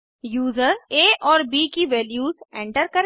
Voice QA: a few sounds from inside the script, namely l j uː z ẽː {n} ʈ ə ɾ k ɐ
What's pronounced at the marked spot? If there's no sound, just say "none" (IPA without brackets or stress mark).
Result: ɳ